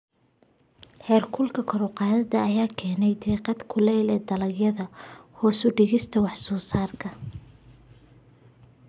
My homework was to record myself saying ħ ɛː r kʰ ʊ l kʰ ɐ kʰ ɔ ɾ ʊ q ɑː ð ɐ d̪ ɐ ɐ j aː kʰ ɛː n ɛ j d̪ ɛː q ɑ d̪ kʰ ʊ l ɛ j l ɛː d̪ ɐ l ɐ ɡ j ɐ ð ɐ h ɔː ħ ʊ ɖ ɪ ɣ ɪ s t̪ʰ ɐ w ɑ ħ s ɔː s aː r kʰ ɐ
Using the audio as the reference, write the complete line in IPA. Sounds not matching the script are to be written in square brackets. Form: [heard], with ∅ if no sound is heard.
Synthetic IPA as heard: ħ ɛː r kʰ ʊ l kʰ ɐ kʰ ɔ ɾ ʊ q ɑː ð ɐ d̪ ɐ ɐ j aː kʰ ɛː n ɛ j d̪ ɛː q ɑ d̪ kʰ ʊ l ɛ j l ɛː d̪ ɐ l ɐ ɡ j ɐ ð ɐ h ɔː [s] ʊ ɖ ɪ ɣ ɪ s t̪ʰ ɐ w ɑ ħ s ɔː s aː r kʰ ɐ